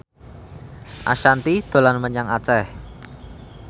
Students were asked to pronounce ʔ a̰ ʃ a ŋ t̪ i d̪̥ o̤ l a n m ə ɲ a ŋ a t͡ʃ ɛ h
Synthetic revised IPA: ʔ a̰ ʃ a n t̪ i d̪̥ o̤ l a n m ə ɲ a ŋ a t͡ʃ ɛ h